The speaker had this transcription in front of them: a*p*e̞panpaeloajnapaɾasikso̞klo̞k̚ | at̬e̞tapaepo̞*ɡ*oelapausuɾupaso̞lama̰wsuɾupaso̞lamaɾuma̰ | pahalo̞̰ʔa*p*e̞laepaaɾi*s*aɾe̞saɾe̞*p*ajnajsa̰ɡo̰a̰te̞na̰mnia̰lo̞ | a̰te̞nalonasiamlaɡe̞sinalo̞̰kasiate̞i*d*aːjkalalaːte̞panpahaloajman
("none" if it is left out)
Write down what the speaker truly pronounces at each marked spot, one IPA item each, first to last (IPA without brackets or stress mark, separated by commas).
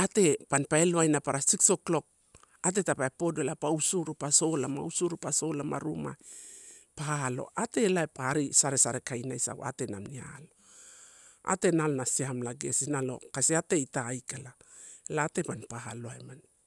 t, d, t, s, k, t